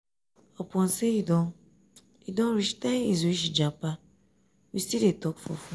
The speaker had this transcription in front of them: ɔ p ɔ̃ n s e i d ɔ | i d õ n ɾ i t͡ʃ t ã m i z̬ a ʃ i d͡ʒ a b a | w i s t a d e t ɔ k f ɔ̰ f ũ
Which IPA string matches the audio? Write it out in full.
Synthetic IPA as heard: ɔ p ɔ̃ n s e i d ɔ | i d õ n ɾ i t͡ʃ t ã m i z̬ i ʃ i d͡ʒ a p a | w i s t i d e t ɔ k f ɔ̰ f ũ